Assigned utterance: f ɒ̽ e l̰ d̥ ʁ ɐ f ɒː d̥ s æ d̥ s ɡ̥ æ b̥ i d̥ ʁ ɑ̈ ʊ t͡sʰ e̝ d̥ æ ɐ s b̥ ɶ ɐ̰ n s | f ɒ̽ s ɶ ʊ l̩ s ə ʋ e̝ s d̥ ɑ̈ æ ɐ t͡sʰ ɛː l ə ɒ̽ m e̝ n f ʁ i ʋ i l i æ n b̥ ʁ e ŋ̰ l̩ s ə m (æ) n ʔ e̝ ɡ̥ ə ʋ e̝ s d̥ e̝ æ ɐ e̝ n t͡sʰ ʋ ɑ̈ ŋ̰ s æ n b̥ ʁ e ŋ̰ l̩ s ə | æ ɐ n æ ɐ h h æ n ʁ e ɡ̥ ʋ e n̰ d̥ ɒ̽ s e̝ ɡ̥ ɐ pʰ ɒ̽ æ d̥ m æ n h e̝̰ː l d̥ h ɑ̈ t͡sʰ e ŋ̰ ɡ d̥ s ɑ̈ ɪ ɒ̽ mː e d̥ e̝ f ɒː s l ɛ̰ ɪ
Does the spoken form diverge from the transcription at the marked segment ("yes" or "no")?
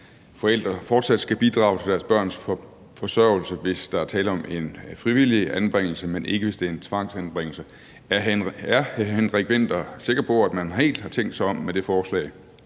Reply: yes